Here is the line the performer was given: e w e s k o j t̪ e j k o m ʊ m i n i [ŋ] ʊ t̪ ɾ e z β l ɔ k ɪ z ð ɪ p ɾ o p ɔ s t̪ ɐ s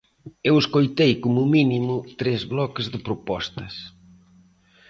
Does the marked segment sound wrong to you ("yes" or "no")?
yes